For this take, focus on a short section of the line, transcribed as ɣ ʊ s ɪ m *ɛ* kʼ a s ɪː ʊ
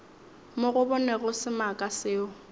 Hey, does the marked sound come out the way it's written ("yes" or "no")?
no